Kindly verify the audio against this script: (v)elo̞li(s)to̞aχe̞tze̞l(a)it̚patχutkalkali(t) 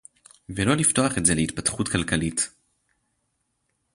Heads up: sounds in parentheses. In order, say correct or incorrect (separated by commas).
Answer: correct, incorrect, incorrect, correct